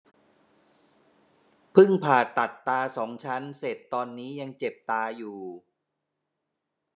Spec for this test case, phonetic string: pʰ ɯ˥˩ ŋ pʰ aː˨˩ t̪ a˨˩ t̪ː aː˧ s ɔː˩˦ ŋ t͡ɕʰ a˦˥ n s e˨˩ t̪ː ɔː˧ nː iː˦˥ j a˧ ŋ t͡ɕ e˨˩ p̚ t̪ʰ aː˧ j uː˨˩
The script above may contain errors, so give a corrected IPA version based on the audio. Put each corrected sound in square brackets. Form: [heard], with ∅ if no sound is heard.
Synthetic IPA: pʰ ɯ˥˩ ŋ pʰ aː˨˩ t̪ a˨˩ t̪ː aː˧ s ɔː˩˦ ŋ t͡ɕʰ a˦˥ n s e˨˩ t̪ː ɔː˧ nː iː˦˥ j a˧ ŋ t͡ɕ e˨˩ p̚ [t̪] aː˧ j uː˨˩